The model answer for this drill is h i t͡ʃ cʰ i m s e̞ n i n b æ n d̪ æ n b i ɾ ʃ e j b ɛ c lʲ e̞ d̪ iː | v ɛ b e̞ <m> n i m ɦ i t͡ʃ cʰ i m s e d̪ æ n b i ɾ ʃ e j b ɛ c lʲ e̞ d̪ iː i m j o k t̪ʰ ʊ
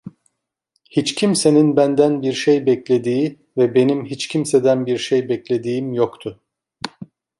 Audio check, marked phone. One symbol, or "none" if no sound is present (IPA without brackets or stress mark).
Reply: none